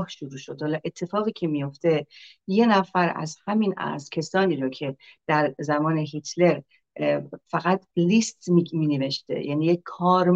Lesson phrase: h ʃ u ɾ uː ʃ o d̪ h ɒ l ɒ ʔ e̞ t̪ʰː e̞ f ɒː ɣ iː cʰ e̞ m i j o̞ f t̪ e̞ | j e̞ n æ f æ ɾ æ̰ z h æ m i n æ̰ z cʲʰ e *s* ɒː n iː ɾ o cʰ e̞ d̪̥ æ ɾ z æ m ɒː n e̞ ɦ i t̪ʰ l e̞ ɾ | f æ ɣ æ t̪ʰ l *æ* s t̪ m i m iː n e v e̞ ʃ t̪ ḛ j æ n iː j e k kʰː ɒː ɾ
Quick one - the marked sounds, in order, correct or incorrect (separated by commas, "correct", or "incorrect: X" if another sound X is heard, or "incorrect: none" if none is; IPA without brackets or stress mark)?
correct, incorrect: i